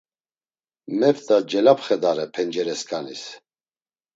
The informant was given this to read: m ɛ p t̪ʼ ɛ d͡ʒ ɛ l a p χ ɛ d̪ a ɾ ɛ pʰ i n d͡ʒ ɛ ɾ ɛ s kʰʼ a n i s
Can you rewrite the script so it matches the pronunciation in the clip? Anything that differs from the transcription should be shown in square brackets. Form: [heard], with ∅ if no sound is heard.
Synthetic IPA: m ɛ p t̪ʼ [a] d͡ʒ ɛ l a p χ ɛ d̪ a ɾ ɛ pʰ [ɛ] n d͡ʒ ɛ ɾ ɛ s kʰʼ a n i s